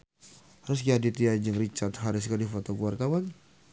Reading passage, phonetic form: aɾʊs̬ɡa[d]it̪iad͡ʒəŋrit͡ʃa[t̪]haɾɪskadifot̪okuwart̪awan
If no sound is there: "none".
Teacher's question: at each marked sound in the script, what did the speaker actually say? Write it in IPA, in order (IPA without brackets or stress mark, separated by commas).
d, t̪